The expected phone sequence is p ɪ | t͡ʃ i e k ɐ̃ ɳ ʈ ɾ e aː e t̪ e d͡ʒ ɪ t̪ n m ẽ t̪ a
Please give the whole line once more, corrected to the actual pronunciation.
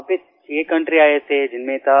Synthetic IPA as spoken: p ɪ | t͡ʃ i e k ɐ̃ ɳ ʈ ɾ i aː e t̪ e d͡ʒ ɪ n m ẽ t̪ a